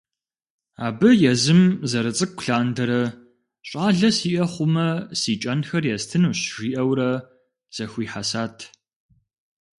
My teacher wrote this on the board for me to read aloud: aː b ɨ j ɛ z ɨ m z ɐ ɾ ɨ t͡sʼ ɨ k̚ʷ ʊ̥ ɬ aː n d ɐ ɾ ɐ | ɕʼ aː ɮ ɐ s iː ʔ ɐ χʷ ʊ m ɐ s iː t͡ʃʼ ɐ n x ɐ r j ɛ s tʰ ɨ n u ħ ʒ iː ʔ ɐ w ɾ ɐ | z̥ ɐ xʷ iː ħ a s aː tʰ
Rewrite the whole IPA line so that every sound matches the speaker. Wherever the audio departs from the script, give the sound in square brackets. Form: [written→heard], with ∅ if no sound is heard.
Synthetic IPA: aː b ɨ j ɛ z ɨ m z ɐ ɾ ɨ t͡sʼ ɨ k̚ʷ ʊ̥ ɬ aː n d ɐ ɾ ɐ | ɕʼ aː ɮ ɐ s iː ʔ ɐ χʷ ʊ m ɐ s iː t͡ʃʼ ɐ n x ɐ r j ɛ s tʰ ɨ n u [ħ→ɕ] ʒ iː ʔ ɐ w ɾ ɐ | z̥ ɐ xʷ iː ħ a s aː tʰ

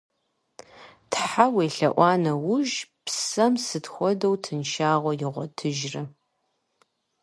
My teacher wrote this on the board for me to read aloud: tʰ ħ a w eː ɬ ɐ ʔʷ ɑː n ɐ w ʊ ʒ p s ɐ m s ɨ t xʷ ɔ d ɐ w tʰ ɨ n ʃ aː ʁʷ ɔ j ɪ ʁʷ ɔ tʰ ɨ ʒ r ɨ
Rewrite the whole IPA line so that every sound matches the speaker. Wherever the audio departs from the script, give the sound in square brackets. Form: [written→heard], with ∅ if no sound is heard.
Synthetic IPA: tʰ ħ a w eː ɬ ɐ ʔʷ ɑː n ɐ w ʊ ʒ p s ɐ m s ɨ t xʷ ɔ d ɐ w tʰ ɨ n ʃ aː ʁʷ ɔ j ɪ ʁʷ ɔ tʰ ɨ ʒ r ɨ

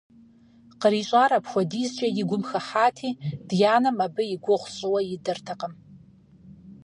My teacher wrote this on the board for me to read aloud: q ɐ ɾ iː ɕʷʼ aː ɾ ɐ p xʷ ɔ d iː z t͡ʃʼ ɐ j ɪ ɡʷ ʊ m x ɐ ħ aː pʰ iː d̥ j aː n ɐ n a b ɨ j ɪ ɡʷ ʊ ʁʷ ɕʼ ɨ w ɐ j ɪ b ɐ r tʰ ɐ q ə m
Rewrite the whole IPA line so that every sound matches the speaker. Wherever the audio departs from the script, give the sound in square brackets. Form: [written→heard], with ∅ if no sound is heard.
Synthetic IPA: q [ɐ→ə] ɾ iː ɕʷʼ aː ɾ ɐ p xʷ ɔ d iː z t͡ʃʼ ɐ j ɪ ɡʷ ʊ m x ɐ ħ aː [pʰ→tʰ] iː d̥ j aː n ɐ [n→m] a b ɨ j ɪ ɡʷ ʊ ʁʷ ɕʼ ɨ w ɐ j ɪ [b→d] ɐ r tʰ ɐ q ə m

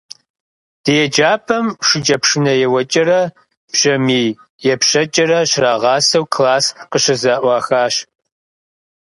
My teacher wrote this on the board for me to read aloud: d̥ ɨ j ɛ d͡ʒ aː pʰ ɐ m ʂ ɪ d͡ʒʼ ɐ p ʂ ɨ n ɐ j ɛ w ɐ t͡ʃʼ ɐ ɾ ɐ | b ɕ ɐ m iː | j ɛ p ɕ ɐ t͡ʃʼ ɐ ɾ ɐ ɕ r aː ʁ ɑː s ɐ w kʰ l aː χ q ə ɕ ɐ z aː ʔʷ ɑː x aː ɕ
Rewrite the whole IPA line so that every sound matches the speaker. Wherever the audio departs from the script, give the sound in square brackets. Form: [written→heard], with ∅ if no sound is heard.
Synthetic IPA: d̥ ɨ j ɛ d͡ʒ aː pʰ ɐ m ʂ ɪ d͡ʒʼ ɐ p ʂ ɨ n ɐ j ɛ w ɐ t͡ʃʼ ɐ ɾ ɐ | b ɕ ɐ m iː | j ɛ p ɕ ɐ t͡ʃʼ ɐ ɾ ɐ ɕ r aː ʁ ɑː s ɐ w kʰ l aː [χ→s] q ə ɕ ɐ z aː ʔʷ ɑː x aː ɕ

